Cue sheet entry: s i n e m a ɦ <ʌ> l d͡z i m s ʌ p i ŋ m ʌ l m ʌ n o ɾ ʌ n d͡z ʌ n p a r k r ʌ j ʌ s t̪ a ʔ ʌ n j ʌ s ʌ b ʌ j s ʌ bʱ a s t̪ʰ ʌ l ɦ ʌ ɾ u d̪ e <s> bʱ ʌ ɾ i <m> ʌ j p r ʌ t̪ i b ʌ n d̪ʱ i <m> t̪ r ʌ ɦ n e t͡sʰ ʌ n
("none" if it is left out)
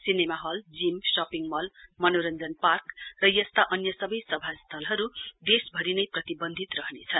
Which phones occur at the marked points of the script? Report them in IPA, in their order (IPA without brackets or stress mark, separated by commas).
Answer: ʌ, s, n, none